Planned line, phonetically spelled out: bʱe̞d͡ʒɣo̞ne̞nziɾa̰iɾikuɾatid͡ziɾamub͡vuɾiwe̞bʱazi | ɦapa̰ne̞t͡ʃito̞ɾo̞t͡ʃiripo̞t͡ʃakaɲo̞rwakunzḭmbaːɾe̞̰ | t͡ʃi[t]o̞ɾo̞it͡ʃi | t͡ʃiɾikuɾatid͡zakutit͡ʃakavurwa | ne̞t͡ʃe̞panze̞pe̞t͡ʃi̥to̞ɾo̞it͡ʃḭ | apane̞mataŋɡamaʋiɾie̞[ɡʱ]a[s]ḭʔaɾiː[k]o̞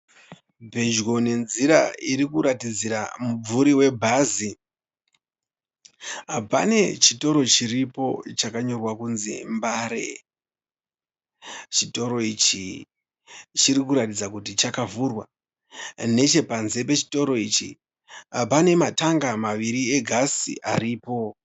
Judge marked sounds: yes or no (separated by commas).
yes, yes, yes, no